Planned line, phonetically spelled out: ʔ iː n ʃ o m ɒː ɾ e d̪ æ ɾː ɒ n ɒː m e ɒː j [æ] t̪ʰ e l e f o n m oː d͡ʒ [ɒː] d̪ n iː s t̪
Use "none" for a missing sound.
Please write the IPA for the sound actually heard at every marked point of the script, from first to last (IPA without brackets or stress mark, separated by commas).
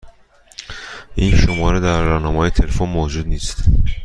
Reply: e, uː